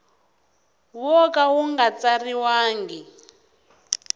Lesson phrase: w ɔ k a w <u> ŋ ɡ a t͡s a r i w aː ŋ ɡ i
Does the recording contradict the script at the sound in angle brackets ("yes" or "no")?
no